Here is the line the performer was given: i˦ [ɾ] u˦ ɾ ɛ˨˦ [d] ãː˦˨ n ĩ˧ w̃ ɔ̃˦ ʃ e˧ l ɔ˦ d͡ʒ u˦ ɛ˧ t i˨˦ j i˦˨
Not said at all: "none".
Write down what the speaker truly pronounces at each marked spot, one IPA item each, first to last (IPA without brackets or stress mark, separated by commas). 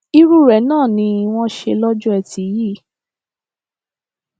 ɾ, n